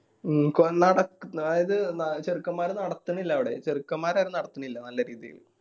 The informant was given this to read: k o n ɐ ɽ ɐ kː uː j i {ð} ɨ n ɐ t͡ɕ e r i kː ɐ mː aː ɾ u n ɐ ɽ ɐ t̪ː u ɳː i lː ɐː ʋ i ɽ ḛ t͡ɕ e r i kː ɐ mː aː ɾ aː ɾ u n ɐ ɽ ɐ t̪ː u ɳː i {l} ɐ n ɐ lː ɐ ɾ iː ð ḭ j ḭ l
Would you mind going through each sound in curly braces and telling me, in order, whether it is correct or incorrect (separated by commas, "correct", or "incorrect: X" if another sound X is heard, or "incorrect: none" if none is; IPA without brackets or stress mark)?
correct, incorrect: lː